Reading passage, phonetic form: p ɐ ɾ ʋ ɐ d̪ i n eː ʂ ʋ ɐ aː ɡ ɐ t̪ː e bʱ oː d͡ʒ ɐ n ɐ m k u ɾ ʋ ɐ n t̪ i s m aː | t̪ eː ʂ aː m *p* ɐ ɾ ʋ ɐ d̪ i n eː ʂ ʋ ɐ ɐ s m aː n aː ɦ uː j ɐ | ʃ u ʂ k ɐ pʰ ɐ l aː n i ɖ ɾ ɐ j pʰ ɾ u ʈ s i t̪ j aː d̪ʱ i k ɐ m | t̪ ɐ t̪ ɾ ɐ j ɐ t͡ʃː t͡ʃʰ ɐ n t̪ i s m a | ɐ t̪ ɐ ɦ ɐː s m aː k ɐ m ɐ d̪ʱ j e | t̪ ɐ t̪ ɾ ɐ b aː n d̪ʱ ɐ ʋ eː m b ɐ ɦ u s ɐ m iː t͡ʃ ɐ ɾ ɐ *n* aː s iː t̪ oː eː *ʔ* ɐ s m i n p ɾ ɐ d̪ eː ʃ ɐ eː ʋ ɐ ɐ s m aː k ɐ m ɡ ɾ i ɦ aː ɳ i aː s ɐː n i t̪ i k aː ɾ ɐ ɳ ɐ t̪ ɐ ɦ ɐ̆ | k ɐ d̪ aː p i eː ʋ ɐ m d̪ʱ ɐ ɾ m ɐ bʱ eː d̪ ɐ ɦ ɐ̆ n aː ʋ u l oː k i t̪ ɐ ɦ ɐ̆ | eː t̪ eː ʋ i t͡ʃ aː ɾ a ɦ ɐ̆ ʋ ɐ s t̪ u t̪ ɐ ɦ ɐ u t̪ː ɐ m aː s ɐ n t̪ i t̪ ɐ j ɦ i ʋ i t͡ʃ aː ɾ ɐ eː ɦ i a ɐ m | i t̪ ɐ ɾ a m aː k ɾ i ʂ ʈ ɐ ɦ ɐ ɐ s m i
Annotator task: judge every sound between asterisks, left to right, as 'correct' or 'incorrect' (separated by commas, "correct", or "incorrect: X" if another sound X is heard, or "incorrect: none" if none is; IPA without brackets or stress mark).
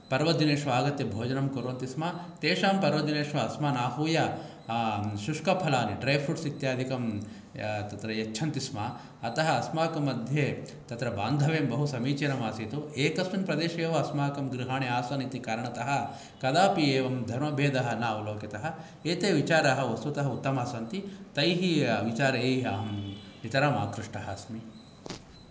correct, incorrect: m, incorrect: k